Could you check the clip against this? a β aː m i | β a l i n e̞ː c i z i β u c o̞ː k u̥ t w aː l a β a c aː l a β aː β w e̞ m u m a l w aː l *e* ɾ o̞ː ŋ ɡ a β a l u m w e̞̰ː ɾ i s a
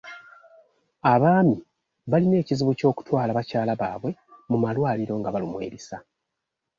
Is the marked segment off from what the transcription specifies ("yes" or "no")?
yes